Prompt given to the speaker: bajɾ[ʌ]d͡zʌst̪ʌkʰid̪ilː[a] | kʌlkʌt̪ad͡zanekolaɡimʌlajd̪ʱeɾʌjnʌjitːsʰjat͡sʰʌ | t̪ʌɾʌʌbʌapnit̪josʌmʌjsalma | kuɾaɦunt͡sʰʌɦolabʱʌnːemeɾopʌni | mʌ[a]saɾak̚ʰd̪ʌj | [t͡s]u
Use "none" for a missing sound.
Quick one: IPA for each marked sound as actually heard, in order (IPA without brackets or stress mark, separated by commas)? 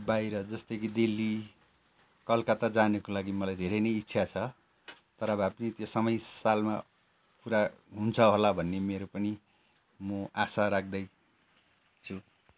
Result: ʌ, i, a, t͡sʰ